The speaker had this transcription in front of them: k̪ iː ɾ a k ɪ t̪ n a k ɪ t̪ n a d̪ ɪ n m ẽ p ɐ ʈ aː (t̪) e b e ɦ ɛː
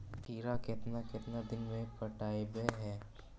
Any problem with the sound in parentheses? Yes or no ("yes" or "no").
yes